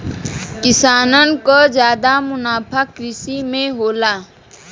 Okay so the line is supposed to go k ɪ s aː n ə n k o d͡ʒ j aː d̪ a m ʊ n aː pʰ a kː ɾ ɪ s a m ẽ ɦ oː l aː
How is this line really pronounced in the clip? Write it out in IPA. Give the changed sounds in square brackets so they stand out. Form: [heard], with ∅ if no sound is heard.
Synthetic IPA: k ɪ s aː n ə n k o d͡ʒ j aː d̪ a m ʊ n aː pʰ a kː ɾ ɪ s [i] m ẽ ɦ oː l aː